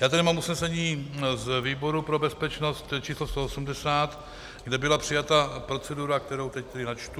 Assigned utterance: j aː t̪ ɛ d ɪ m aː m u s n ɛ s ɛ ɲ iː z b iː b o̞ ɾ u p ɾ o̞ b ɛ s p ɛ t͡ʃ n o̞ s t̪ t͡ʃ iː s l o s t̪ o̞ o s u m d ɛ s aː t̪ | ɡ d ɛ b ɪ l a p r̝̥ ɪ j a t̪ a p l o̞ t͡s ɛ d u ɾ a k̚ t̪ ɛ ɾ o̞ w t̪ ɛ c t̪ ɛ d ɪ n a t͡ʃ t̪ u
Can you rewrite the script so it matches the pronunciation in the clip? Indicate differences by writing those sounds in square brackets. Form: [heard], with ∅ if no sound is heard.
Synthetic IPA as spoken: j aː t̪ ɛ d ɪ m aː m u s n ɛ s ɛ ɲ iː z [v] iː b o̞ ɾ u p ɾ o̞ b ɛ s p ɛ t͡ʃ n o̞ s t̪ t͡ʃ iː s l o s t̪ o̞ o s u m d ɛ s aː t̪ | ɡ d ɛ b ɪ l a p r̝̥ ɪ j a t̪ a p [ɾ] o̞ t͡s ɛ d u ɾ a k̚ t̪ ɛ ɾ o̞ w t̪ ɛ c t̪ ɛ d ɪ n a t͡ʃ t̪ u